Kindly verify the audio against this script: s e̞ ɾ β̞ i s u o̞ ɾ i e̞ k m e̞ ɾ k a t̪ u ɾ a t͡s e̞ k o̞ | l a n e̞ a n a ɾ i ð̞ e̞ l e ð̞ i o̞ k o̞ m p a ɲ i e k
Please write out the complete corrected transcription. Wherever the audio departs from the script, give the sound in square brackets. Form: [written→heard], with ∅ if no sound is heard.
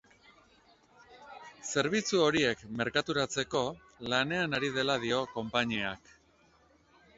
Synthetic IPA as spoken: s e̞ ɾ β̞ i [s→t͡s] u o̞ ɾ i e̞ k m e̞ ɾ k a t̪ u ɾ a t͡s e̞ k o̞ | l a n e̞ a n a ɾ i ð̞ e̞ l [e→a] ð̞ i o̞ k o̞ m p a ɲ i [e→a] k